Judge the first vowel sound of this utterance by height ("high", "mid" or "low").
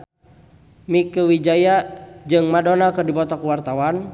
high